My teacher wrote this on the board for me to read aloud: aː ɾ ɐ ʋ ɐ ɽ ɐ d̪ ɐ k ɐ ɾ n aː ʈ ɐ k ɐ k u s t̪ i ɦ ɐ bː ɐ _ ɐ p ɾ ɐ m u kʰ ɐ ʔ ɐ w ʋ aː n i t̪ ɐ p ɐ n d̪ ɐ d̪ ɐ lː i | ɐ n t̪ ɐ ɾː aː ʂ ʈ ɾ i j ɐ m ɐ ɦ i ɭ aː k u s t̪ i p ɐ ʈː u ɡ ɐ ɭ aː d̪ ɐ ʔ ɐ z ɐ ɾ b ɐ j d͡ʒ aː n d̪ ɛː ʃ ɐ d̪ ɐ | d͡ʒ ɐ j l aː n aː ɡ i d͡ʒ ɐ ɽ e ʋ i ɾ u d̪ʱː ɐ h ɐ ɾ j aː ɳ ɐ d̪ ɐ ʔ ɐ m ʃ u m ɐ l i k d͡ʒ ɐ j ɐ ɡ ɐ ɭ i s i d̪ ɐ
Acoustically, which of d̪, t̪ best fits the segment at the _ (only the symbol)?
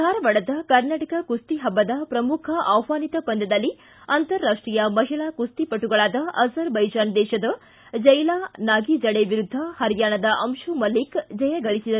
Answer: d̪